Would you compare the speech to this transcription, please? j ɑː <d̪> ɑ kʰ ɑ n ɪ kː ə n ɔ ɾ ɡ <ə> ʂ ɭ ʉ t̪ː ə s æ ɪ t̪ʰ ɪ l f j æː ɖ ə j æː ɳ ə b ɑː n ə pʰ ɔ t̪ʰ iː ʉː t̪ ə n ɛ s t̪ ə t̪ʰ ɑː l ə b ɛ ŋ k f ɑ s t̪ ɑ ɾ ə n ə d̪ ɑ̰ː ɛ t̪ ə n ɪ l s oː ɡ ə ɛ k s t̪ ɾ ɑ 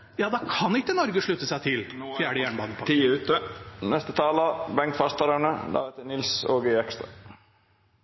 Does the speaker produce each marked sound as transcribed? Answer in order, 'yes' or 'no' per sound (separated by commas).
yes, yes